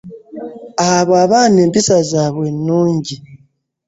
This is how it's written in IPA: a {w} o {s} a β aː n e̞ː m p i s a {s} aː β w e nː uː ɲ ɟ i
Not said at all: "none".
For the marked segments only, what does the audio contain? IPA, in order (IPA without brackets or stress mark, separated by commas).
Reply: β, none, z